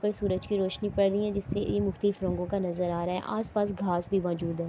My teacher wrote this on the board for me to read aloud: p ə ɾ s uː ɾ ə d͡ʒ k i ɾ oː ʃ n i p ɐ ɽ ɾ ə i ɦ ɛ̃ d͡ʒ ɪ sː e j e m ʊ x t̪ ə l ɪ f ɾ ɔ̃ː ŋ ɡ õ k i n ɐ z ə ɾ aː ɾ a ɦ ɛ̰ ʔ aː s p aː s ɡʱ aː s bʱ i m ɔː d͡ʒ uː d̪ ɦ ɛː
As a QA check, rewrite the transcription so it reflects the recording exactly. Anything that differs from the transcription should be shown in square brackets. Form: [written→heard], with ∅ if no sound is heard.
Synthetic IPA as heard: p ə ɾ s uː ɾ ə d͡ʒ k i ɾ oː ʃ n i p ɐ ɽ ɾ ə i ɦ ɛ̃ d͡ʒ ɪ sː e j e m ʊ x t̪ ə l ɪ f ɾ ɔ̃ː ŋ ɡ õ k [i→a] n ɐ z ə ɾ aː ɾ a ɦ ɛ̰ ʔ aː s p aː s ɡʱ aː s bʱ i m ɔː d͡ʒ uː d̪ ɦ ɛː